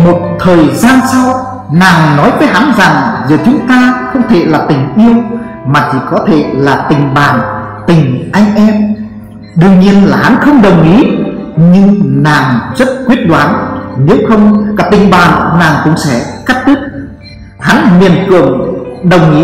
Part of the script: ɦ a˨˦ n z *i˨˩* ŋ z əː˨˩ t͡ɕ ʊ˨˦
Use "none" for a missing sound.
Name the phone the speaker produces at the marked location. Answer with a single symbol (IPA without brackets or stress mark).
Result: a˨˩